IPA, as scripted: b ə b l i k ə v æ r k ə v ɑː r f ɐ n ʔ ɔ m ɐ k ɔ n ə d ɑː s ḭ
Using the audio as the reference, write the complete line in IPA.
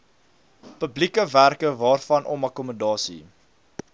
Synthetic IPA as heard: p ə b l i k ə v æ r k ə v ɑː r f ɐ n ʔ ɔ m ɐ k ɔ m ə d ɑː s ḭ